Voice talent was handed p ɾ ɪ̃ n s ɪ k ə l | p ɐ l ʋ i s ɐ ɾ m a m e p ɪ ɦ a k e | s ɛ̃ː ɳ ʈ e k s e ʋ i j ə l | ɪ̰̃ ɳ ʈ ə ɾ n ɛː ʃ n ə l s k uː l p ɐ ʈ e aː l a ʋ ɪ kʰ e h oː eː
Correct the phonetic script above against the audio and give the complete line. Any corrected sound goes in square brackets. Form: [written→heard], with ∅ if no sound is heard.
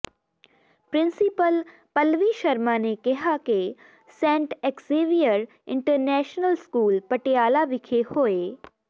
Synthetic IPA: p ɾ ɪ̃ n s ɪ [k→p] ə l | p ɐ l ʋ i [s→ʃ] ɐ ɾ m a [m→n] e [p→k] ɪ ɦ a k e | s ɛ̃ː ɳ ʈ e k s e ʋ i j ə [l→ɾ] | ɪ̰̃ ɳ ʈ ə ɾ n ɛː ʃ n ə l s k uː l p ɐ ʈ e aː l a ʋ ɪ kʰ e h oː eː